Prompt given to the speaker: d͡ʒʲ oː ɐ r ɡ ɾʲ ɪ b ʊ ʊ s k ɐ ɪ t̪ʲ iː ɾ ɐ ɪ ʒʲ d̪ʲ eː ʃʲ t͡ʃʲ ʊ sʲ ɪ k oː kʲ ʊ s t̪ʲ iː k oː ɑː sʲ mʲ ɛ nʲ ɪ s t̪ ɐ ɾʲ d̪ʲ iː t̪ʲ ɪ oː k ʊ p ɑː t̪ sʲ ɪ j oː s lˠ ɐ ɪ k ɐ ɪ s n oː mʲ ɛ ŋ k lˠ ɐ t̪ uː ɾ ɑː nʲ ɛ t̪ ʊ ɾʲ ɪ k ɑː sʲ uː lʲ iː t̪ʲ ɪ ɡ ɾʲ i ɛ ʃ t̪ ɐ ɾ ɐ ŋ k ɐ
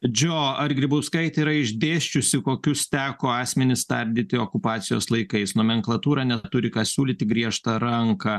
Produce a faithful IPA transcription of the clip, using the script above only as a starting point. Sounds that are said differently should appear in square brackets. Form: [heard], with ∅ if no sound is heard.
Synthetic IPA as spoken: d͡ʒʲ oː ɐ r ɡ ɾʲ ɪ b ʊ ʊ s k ɐ ɪ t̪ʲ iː ɾ ɐ ɪ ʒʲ d̪ʲ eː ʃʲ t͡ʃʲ ʊ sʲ ɪ k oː kʲ ʊ s t̪ʲ [æː] k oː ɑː sʲ mʲ ɛ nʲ ɪ s t̪ ɐ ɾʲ d̪ʲ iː t̪ʲ ɪ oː k ʊ p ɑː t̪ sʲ ɪ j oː s lˠ ɐ ɪ k ɐ ɪ s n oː mʲ ɛ ŋ k lˠ ɐ t̪ uː ɾ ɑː nʲ ɛ t̪ ʊ ɾʲ ɪ k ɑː sʲ uː lʲ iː t̪ʲ ɪ ɡ ɾʲ i ɛ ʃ t̪ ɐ ɾ ɐ ŋ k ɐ